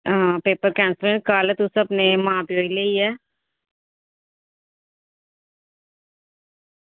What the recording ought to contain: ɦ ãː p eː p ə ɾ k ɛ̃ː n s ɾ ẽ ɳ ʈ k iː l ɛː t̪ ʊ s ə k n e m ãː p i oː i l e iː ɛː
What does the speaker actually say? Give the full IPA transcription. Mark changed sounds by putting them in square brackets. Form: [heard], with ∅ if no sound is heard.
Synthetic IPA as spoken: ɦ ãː p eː p ə ɾ k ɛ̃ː n s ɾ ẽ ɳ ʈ k [aː] l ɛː t̪ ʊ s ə [p] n e m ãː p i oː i l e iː ɛː